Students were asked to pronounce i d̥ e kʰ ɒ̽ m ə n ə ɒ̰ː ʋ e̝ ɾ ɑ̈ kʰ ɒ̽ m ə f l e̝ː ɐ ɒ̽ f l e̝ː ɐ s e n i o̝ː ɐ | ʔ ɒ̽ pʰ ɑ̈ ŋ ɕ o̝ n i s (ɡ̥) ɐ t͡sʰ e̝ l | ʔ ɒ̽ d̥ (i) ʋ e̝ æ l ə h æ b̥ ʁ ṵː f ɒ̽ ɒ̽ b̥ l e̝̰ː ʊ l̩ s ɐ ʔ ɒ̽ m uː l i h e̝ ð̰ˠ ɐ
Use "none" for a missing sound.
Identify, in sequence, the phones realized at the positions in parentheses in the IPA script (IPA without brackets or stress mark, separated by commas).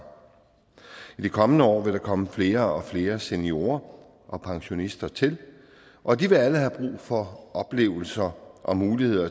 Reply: d̥, i